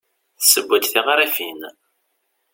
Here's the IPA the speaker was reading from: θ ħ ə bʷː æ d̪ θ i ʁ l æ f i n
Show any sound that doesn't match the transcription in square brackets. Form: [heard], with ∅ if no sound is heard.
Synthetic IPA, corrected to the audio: θ [s] ə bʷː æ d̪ θ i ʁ [ɾ] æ f i n